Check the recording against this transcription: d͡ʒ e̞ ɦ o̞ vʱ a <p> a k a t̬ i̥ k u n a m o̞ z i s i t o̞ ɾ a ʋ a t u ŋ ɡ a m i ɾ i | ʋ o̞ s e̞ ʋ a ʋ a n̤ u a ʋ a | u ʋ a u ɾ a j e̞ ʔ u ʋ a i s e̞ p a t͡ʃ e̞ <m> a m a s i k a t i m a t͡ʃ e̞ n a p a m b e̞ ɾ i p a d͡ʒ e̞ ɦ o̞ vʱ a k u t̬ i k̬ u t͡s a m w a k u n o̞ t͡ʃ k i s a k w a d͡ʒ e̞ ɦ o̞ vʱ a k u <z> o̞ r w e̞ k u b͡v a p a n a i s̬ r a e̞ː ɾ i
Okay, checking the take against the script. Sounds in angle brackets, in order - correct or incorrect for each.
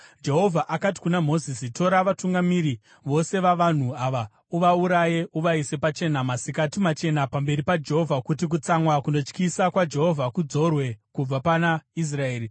incorrect, incorrect, incorrect

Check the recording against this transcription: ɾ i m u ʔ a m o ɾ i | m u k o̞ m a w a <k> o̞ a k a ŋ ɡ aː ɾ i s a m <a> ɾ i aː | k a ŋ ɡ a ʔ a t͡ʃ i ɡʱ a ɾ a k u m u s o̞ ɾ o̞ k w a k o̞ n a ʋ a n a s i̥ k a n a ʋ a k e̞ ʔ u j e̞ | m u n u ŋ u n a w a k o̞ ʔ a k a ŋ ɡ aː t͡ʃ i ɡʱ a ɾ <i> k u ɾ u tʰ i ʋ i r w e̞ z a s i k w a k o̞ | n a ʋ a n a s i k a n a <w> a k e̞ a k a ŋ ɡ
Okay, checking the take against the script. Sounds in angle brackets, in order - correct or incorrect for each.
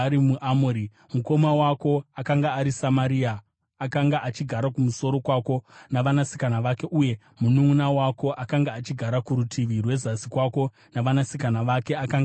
correct, correct, incorrect, incorrect

